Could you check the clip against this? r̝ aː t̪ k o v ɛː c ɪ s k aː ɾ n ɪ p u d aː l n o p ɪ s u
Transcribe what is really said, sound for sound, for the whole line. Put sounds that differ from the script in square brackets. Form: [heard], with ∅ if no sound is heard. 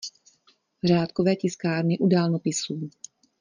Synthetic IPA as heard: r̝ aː t̪ k o v ɛː c ɪ s k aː ɾ n ɪ [ʔ] u d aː l n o p ɪ s [uː]